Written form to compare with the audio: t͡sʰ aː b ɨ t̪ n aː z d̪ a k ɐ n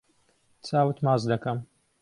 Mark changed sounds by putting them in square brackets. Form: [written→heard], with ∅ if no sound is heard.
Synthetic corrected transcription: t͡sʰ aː [b→w] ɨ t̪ [n→m] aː z d̪ [a→ɐ] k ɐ [n→m]